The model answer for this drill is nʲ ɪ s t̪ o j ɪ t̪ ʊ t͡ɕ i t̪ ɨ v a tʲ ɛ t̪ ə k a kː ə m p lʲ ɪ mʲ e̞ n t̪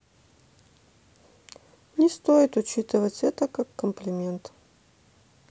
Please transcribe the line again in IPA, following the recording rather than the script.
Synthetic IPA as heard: nʲ ɪ s t̪ o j ɪ t̪ ʊ t͡ɕ i t̪ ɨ v ə tʲ ɛ t̪ ə k a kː ə m p lʲ ɪ mʲ e̞ n t̪